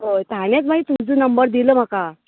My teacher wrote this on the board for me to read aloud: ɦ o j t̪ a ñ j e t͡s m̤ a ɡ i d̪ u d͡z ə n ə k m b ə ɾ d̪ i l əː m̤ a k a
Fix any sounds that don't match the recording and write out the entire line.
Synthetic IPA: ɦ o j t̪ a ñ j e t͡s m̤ a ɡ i t̪ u d͡z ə n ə m b ə ɾ d̪ i l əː m̤ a k a